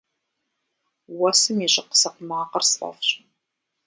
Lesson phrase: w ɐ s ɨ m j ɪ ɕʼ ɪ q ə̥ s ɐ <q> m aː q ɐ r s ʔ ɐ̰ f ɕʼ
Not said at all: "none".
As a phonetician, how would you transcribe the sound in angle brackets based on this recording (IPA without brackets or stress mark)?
q